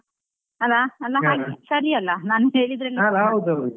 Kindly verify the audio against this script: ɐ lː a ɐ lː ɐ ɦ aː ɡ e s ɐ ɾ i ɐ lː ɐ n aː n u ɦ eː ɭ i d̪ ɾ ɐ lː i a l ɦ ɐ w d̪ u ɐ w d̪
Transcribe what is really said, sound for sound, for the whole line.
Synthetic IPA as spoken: ɐ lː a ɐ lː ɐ ɦ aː ɡ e s ɐ ɾ i ɐ lː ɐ n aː n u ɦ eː ɭ i d̪ ɾ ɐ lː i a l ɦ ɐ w d̪ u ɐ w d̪